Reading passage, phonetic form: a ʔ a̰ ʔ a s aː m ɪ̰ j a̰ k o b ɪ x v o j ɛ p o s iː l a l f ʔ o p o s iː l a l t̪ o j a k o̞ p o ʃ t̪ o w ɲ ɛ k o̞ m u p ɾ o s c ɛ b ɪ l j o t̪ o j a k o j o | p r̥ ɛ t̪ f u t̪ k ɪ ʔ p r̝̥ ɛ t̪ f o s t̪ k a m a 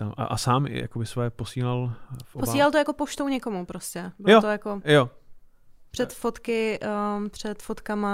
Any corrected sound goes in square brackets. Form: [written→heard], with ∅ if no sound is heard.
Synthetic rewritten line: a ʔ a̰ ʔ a s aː m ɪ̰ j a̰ k o b ɪ [x→s] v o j ɛ p o s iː l a l f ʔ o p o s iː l a l t̪ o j a k o̞ p o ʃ t̪ o w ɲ ɛ k o̞ m u p ɾ o s c ɛ b ɪ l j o t̪ o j a k o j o | p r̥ ɛ t̪ f [u→o] t̪ k ɪ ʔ p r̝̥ ɛ t̪ f o [s→∅] t̪ k a m a